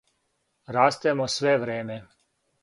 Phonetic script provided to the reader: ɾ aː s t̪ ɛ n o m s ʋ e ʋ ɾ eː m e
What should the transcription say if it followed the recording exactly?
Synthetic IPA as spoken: ɾ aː s t̪ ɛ m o s ʋ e ʋ ɾ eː m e